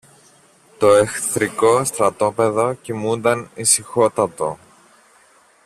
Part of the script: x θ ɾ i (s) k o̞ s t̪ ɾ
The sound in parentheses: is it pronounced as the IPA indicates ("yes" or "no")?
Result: no